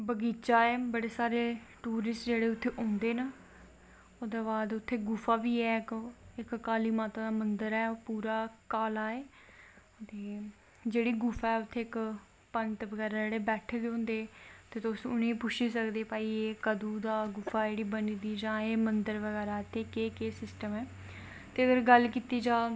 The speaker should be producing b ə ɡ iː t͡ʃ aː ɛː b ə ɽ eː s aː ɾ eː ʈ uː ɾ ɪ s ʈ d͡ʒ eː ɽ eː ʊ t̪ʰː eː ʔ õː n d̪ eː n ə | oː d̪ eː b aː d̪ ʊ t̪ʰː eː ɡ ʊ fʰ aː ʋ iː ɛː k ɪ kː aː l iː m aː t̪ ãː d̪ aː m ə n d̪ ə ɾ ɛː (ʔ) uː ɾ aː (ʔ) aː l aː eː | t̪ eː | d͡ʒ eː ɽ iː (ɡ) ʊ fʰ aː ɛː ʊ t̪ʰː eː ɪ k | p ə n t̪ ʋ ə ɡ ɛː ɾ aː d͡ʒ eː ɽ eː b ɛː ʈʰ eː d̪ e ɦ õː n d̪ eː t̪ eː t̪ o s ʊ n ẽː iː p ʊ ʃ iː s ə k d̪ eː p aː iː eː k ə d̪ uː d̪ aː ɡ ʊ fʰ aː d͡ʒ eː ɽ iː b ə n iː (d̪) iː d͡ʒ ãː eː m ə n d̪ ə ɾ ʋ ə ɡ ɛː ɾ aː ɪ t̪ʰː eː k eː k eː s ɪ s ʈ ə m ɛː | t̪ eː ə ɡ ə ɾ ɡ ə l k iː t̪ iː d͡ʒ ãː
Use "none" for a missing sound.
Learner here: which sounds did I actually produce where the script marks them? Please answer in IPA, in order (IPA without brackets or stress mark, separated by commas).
p, k, ɡ, d̪